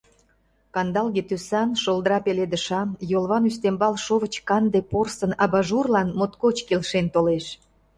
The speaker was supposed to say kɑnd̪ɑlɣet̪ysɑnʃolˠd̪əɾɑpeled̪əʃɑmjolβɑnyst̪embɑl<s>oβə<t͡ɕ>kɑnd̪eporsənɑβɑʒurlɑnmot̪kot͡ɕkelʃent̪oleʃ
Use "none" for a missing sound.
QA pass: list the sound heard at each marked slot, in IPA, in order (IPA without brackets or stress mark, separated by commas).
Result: ʃ, t͡ɕ